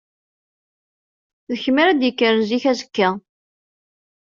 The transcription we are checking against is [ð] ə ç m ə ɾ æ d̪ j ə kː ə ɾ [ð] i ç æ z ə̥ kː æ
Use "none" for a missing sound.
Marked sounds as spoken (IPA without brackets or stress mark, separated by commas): ð, z